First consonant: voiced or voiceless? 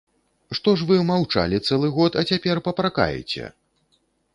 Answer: voiceless